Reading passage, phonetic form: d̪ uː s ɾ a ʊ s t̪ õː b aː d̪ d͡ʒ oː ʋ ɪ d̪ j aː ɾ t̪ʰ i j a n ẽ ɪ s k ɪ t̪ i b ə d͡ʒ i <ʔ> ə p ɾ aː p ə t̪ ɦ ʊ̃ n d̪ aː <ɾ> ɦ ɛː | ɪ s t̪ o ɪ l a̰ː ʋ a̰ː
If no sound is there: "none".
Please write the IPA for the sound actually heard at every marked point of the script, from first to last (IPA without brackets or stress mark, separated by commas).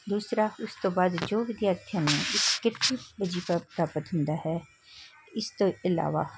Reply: p, none